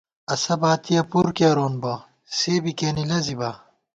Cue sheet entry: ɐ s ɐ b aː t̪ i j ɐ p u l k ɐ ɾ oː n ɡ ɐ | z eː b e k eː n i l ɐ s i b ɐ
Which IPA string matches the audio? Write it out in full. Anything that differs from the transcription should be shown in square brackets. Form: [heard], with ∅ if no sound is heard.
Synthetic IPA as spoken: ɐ s ɐ b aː t̪ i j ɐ p u [ɾ] k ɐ ɾ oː n [b] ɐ | [s] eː b [i] k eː n i l ɐ [z] i b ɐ